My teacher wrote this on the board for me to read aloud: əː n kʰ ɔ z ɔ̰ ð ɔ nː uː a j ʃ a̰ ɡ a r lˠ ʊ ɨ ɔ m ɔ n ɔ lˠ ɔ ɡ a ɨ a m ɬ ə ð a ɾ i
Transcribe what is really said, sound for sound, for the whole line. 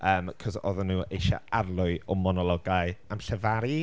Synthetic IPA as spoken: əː m kʰ ɔ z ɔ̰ ð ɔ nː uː e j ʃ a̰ a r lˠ ʊ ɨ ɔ m ɔ n ɔ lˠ ɔ ɡ a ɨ a m ɬ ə v a ɾ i